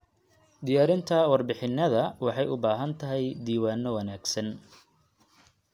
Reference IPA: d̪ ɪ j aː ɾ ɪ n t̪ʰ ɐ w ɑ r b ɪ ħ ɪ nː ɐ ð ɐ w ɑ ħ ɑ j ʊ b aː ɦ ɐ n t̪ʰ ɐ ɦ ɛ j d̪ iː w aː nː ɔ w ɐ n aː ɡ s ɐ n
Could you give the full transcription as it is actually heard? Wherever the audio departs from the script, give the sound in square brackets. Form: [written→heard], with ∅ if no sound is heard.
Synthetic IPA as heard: d̪ ɪ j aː ɾ ɪ n t̪ʰ ɐ w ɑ r b ɪ ħ ɪ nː ɐ ð ɐ w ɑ ħ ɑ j ʊ b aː ɦ ɐ n t̪ʰ ɐ ɦ ɛ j d̪ iː w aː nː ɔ w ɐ n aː ɡ s ɐ n